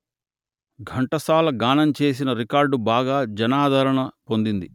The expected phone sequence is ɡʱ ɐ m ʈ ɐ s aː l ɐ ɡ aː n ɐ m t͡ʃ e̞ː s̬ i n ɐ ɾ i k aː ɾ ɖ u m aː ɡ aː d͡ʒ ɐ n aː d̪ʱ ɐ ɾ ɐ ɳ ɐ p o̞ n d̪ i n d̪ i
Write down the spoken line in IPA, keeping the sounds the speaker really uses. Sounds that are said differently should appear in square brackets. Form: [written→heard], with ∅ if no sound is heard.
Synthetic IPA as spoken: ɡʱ ɐ [m→ɳ] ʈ ɐ s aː l ɐ ɡ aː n ɐ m t͡ʃ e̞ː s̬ i n ɐ ɾ i k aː ɾ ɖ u [m→b] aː ɡ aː d͡ʒ ɐ n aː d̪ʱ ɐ ɾ ɐ ɳ ɐ p o̞ n d̪ i n d̪ i